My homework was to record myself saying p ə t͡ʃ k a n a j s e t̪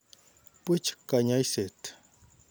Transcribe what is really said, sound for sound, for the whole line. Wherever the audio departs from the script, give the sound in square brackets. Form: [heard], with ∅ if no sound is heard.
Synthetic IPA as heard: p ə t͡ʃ k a [ɲ] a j s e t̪